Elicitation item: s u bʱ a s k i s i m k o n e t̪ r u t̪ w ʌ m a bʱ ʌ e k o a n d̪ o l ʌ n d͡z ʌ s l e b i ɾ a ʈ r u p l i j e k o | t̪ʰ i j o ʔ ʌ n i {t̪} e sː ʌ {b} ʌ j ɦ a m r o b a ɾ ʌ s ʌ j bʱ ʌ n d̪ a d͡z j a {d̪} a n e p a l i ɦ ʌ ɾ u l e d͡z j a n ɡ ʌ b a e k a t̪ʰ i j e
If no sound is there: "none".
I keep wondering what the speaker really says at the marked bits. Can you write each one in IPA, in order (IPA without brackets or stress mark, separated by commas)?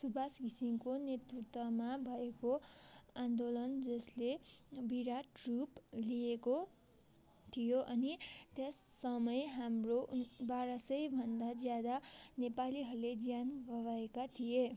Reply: t̪, m, d̪